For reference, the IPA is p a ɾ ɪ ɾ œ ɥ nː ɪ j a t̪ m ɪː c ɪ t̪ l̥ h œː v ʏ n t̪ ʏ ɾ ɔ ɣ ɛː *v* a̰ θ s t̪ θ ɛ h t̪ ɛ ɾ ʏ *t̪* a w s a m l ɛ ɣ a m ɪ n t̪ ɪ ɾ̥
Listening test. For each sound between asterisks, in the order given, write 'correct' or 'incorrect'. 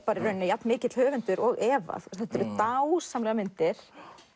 correct, correct

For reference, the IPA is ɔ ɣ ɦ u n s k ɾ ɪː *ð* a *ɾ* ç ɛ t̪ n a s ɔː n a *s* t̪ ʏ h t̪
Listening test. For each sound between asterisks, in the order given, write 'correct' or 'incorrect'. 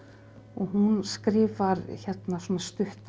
incorrect, correct, correct

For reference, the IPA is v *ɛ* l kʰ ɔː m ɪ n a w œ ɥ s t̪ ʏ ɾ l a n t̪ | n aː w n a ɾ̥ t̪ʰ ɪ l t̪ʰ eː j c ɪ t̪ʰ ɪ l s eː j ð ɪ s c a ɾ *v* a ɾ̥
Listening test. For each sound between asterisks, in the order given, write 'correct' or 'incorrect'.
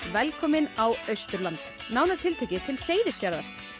correct, incorrect

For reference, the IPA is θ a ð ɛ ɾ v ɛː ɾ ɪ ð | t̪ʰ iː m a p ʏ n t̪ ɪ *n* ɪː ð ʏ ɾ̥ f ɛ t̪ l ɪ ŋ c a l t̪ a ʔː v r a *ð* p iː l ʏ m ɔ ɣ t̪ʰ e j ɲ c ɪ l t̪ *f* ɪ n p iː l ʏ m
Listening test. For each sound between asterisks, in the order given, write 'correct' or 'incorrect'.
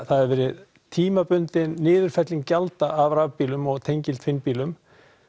incorrect, incorrect, correct

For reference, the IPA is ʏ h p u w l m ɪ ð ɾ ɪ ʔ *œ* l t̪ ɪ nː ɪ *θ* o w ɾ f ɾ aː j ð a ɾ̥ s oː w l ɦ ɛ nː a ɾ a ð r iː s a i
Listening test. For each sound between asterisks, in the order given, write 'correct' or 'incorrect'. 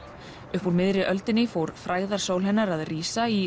correct, incorrect

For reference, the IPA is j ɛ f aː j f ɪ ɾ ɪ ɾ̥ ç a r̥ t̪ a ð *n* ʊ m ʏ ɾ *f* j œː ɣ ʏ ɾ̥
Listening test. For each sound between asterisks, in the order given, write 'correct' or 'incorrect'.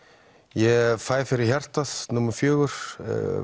correct, correct

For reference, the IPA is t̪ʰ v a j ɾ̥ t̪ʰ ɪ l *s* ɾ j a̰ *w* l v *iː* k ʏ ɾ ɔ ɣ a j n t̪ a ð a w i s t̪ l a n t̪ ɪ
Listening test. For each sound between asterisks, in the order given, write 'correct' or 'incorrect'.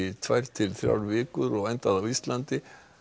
incorrect, correct, incorrect

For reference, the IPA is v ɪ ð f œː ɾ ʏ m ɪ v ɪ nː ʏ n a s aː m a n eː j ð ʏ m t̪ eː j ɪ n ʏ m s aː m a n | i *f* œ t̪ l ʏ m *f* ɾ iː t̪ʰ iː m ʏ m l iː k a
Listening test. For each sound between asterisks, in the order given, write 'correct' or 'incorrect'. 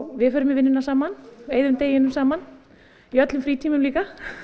incorrect, correct

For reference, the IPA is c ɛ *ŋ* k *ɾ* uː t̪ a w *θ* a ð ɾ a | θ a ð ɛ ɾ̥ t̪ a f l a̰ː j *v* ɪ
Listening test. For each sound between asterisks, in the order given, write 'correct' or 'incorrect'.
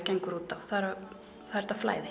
correct, correct, correct, incorrect

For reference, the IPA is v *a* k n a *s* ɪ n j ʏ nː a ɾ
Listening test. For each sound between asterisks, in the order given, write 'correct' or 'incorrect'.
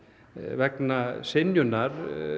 incorrect, correct

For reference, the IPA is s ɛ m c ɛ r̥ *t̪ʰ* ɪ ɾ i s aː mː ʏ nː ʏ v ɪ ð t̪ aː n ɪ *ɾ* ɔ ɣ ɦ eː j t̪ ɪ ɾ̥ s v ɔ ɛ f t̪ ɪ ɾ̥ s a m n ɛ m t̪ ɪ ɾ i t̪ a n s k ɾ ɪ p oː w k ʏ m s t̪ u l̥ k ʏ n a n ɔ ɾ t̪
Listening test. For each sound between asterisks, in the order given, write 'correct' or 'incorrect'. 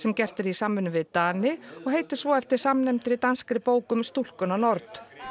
incorrect, incorrect

